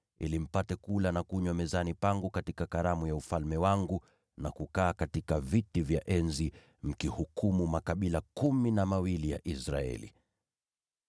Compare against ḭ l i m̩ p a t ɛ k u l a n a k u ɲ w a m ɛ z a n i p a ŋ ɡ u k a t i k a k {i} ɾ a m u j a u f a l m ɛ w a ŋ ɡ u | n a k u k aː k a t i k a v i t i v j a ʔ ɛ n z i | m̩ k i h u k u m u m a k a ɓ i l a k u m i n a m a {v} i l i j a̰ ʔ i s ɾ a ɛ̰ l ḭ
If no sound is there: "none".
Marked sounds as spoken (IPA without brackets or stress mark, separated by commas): a, w